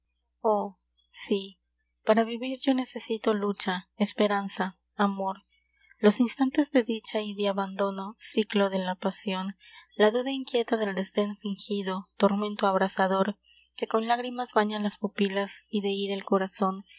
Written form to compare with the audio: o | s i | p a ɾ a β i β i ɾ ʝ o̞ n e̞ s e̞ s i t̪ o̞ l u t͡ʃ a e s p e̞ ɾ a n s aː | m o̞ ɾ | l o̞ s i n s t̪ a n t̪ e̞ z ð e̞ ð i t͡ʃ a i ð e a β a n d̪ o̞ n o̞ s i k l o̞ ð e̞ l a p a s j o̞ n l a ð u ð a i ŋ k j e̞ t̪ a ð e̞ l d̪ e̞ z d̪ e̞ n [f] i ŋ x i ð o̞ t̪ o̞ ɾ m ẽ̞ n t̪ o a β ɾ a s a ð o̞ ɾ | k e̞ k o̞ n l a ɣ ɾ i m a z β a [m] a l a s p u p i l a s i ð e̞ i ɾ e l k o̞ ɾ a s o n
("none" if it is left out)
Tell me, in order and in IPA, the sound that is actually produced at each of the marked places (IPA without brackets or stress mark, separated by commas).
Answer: f, ɲ